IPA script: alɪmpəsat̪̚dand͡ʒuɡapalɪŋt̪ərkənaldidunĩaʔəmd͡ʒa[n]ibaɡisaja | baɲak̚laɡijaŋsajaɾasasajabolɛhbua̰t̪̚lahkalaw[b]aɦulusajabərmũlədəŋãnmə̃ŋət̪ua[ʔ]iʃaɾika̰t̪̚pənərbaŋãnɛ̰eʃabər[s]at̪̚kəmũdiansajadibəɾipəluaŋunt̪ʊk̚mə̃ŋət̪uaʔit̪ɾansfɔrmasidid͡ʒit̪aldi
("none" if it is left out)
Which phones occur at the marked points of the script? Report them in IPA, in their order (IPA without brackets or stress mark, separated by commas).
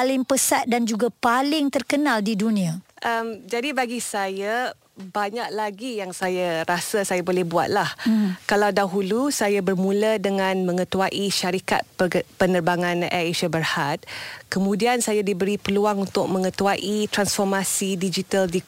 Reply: d, d, ʔ, h